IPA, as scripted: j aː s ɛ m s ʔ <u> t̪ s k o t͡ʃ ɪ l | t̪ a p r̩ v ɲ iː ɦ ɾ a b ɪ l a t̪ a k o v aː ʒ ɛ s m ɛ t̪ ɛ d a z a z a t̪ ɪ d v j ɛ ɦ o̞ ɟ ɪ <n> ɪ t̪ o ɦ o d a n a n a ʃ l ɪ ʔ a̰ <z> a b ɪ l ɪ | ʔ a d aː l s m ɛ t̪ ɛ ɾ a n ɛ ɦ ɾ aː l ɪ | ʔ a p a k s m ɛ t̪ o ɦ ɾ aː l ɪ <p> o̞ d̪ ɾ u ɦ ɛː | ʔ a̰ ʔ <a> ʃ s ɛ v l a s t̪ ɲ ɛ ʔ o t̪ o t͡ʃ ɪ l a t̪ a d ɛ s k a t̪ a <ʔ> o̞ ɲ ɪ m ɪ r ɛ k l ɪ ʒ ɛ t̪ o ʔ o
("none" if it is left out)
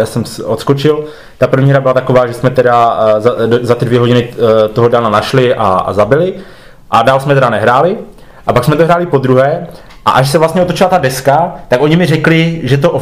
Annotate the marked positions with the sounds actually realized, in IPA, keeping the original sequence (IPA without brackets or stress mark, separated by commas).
o, n, z, p, a, k